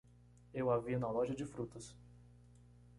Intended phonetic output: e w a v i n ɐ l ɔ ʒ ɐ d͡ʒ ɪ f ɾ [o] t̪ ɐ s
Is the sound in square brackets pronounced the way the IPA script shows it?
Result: no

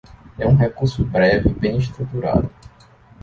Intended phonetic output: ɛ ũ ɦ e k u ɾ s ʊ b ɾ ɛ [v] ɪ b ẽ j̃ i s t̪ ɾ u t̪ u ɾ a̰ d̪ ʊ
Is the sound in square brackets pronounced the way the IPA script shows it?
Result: yes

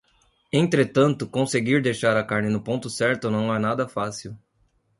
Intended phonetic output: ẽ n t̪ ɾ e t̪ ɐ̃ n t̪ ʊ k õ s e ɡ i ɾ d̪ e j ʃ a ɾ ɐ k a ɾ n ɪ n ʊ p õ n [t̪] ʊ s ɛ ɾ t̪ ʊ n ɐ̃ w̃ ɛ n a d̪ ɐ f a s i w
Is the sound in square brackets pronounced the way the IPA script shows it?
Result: yes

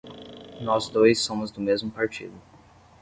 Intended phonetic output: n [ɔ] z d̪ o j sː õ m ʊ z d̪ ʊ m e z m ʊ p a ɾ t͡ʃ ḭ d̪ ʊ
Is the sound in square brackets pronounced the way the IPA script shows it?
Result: yes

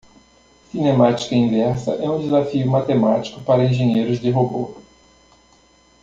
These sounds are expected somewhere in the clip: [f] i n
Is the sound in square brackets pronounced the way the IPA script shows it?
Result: no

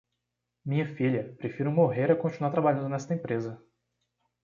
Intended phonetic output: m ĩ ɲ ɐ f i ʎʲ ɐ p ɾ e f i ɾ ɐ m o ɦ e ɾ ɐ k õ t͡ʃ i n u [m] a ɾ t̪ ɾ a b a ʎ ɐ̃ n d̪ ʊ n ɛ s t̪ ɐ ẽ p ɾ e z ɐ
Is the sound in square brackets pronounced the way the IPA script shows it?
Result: no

